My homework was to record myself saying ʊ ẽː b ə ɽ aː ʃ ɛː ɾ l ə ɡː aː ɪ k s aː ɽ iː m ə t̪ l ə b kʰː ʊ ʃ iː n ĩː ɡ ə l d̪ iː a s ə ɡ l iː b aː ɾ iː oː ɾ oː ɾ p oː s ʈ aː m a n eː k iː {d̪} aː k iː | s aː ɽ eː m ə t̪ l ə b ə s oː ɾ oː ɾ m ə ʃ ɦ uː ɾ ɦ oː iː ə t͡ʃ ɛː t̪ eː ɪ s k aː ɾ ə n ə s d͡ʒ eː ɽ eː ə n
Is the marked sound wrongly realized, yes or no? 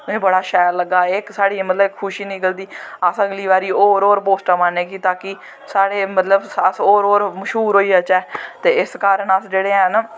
yes